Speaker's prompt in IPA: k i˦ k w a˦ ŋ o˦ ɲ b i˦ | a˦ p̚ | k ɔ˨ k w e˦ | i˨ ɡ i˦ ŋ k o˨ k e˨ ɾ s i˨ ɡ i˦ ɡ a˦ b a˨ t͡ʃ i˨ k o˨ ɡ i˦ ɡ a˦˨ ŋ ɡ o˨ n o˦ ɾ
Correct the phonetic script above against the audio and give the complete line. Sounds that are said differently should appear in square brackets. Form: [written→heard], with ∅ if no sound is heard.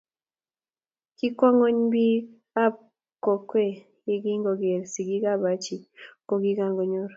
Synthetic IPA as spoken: k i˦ k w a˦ ŋ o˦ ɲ b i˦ | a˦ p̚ | k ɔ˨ k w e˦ | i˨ ɡ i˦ ŋ [k→ɡ] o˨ [k→ɡ] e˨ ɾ s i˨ ɡ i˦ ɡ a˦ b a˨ t͡ʃ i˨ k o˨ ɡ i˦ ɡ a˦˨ ŋ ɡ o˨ [n→ɲ] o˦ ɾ